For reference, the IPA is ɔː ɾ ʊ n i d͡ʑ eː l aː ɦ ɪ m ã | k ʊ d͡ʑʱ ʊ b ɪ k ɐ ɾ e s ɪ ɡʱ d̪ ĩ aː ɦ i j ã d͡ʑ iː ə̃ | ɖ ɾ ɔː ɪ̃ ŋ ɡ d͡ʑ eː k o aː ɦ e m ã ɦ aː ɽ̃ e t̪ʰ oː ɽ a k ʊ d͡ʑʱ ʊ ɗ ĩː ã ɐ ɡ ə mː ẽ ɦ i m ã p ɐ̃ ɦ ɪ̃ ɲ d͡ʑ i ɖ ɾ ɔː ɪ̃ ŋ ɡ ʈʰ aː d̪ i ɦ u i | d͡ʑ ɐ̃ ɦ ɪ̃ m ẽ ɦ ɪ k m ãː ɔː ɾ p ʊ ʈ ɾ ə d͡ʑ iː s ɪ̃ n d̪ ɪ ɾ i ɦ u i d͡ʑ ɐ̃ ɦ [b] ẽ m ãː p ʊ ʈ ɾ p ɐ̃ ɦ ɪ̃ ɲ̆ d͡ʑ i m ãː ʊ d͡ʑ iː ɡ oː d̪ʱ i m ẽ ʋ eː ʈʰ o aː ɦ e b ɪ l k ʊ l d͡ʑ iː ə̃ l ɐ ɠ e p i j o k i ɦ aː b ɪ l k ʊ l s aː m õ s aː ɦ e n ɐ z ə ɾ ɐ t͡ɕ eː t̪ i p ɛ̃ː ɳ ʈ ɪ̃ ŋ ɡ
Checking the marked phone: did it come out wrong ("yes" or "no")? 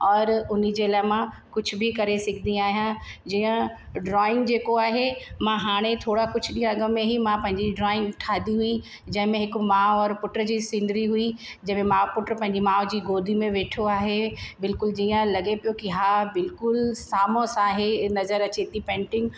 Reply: yes